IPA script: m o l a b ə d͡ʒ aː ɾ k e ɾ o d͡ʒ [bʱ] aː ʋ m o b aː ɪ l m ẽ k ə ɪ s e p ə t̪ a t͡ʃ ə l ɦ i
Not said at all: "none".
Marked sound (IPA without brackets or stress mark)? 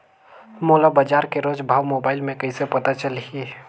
bʱ